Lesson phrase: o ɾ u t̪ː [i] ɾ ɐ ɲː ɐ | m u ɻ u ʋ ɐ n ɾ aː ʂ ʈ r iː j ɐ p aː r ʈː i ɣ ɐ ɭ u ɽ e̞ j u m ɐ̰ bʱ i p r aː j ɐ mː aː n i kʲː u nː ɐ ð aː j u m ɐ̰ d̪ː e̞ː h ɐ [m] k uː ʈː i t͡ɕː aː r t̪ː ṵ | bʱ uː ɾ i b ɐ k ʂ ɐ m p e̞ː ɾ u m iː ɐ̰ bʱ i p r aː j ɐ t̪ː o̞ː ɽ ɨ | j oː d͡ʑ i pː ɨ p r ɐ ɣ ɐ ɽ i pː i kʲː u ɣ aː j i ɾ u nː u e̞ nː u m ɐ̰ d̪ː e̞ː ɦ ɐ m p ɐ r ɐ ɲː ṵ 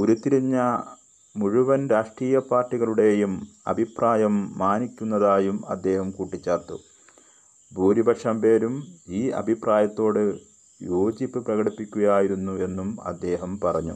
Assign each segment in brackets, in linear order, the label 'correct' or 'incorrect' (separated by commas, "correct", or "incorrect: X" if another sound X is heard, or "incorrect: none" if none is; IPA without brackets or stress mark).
correct, correct